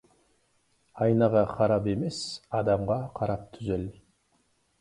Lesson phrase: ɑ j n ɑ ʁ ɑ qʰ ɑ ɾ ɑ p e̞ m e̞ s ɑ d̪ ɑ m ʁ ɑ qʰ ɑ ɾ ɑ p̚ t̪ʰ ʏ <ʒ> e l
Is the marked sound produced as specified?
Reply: no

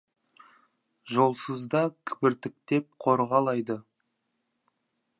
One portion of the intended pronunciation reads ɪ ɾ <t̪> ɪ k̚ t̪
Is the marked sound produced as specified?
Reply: yes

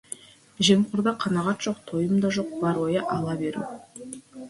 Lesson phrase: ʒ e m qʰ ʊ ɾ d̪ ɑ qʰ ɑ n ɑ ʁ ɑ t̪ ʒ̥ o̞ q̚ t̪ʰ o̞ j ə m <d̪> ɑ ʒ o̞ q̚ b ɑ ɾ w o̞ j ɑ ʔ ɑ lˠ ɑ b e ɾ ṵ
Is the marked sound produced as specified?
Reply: yes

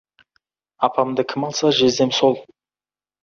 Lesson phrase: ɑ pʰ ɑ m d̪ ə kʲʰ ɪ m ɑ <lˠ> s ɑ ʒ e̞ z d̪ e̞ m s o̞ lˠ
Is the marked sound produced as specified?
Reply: yes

